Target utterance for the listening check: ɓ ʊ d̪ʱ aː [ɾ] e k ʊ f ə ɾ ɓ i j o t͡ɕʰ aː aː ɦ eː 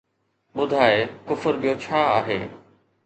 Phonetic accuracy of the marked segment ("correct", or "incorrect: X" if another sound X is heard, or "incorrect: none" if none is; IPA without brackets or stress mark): incorrect: none